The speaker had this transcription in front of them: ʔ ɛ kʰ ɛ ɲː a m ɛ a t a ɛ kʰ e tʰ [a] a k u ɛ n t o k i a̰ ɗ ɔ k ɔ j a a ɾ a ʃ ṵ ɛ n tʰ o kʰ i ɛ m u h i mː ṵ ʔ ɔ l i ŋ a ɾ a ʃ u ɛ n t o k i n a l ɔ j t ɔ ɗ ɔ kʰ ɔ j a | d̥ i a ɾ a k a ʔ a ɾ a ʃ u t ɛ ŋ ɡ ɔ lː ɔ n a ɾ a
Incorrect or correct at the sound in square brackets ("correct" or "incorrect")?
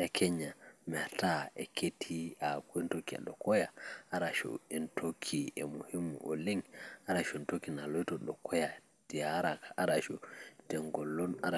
incorrect